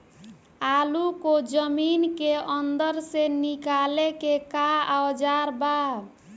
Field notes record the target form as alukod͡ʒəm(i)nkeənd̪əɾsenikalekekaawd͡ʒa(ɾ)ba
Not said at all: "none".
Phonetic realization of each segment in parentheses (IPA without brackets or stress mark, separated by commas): i, ɾ